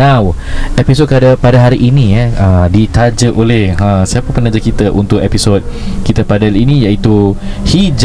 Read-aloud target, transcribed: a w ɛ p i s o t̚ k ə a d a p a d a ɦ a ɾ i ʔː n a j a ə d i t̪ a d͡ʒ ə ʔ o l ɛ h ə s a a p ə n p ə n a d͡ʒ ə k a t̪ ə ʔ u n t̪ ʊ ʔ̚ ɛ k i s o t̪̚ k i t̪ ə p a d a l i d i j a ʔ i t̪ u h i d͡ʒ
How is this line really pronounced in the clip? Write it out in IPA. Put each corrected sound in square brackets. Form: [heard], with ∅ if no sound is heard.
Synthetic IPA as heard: a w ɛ p i s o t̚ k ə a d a p a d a ɦ a ɾ i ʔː n [i] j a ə d i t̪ a d͡ʒ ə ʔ o l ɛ h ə s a a p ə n p ə n a d͡ʒ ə k [i] t̪ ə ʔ u n t̪ ʊ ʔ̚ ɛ [p] i s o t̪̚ k i t̪ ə p a d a l i [n] i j a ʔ i t̪ u h i d͡ʒ